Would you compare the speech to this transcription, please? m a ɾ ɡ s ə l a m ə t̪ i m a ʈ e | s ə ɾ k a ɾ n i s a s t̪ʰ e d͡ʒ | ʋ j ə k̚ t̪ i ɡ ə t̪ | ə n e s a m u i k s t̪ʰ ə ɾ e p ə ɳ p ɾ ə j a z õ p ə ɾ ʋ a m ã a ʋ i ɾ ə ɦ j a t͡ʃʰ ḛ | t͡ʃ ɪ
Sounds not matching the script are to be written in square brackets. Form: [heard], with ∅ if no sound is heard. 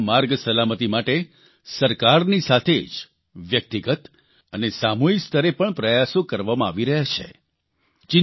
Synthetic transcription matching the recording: m a ɾ ɡ s ə l a m ə t̪ i m a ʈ e | s ə ɾ k a ɾ n i s a [∅] t̪ʰ e d͡ʒ | ʋ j ə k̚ t̪ i ɡ ə t̪ | ə n e s a m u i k s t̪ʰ ə ɾ e p ə ɳ p ɾ ə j a [s] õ [k] ə ɾ ʋ a m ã a ʋ i ɾ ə ɦ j a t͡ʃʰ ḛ | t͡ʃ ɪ